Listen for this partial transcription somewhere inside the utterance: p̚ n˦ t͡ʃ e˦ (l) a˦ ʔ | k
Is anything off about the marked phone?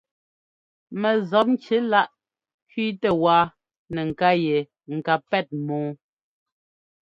no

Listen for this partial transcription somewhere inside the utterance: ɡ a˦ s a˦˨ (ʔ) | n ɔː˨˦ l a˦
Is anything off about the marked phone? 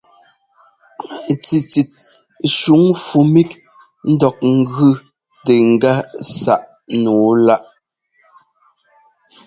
no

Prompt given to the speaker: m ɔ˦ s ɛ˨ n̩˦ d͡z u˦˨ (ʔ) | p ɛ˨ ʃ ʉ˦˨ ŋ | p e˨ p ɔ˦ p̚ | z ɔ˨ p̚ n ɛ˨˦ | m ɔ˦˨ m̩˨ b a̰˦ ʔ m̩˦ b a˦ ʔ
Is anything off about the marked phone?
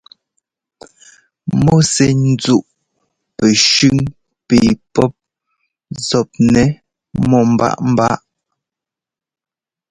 no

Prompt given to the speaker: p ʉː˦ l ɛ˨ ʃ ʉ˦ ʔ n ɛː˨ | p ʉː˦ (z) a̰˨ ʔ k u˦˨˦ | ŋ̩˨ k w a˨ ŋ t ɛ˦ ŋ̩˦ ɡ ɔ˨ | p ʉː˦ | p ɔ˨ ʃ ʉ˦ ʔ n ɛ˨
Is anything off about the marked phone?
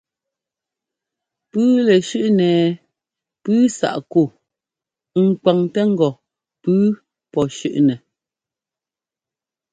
yes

